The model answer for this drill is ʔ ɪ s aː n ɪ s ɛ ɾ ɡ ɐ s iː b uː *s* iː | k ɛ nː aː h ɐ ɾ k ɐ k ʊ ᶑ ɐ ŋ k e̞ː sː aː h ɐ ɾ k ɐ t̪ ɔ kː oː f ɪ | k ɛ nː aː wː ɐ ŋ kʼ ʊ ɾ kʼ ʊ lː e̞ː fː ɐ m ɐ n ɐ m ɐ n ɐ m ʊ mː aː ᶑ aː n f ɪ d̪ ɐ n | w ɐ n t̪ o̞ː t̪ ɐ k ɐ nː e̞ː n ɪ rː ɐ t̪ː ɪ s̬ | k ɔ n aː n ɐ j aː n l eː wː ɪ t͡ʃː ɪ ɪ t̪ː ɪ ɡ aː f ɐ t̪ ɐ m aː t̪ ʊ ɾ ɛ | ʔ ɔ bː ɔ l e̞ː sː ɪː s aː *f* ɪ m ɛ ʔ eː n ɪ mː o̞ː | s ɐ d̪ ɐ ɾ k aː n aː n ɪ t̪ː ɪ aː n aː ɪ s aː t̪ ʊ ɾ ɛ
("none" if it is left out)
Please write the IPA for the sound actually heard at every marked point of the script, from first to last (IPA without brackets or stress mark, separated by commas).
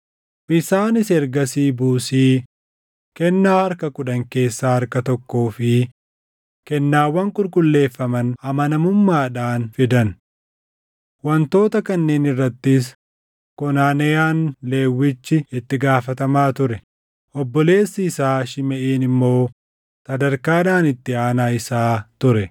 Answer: s, ʃ